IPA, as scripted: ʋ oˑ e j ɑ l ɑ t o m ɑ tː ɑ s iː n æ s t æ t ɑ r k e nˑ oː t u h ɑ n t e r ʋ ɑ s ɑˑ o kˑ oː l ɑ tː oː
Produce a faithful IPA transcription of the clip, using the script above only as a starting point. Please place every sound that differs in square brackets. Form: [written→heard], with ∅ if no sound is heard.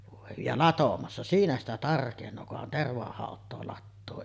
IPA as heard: ʋ oˑ e j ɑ l ɑ t o m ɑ [tː→sː] ɑ s iː n æ s t æ t ɑ r k e nˑ oː [t→k] u h ɑ n t e r ʋ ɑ [s→h] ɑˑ o [kˑ→tˑ] oː l ɑ tː oː